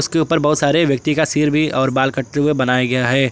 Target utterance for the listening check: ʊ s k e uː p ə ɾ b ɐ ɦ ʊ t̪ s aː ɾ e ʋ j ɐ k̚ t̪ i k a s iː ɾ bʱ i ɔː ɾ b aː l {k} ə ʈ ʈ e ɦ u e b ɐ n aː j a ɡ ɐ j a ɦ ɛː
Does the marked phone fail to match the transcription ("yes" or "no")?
no